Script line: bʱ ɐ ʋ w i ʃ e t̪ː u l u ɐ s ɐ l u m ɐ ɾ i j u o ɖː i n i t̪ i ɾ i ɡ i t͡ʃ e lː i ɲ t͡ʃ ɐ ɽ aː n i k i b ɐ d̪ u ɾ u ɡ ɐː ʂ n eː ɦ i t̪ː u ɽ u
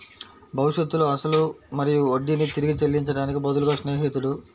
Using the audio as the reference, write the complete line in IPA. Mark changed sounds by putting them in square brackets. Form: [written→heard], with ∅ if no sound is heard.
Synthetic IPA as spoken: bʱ ɐ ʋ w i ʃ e t̪ː u l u ɐ s ɐ l u m ɐ ɾ i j u o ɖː i n i t̪ i ɾ i ɡ i t͡ʃ e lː i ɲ t͡ʃ ɐ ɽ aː n i k i b ɐ d̪ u [ɾ→l] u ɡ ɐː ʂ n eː ɦ i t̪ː u ɽ u